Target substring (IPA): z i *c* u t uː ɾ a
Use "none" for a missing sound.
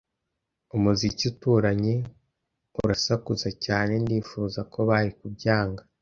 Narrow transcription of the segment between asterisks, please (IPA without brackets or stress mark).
c